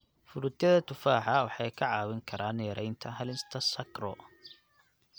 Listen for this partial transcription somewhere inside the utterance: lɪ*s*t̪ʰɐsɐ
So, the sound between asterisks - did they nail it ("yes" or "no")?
yes